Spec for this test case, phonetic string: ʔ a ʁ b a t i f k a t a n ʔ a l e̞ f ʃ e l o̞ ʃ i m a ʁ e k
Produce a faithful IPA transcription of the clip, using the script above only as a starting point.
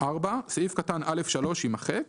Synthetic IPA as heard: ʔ a ʁ b a s i f k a t a n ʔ a l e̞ f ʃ a l o̞ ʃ i m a χ e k